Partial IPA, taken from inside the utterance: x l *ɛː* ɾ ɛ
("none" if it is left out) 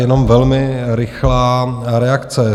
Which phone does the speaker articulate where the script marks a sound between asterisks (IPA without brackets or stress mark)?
aː